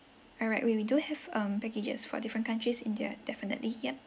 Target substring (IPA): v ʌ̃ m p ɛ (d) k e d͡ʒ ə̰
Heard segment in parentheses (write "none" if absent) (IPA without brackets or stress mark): none